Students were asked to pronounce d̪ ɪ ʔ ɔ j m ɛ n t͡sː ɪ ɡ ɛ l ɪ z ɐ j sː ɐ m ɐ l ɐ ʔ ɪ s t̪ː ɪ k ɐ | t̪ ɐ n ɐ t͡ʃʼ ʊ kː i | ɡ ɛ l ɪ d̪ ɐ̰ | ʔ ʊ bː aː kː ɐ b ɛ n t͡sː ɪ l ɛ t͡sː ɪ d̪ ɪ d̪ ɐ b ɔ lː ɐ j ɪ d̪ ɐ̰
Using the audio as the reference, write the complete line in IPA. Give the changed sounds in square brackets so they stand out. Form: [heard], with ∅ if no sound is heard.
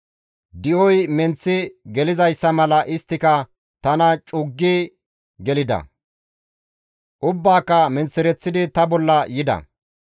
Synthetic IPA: d̪ ɪ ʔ ɔ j m ɛ n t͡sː ɪ ɡ ɛ l ɪ z ɐ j sː ɐ m ɐ l ɐ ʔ ɪ s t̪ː ɪ k ɐ | t̪ ɐ n ɐ t͡ʃʼ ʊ [ɡː] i | ɡ ɛ l ɪ d̪ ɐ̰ | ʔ ʊ bː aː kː ɐ [m] ɛ n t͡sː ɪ [ɾ] ɛ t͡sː ɪ d̪ ɪ [t̪] ɐ b ɔ lː ɐ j ɪ d̪ ɐ̰